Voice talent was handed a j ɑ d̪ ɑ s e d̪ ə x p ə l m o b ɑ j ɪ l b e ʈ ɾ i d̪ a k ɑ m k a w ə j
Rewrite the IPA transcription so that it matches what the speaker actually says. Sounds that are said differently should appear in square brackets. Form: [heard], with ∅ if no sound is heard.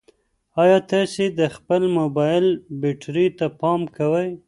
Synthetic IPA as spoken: [ɑ] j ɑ [t̪] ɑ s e d̪ ə x p ə l m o b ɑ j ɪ l b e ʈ ɾ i [t̪] a [p] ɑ m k a w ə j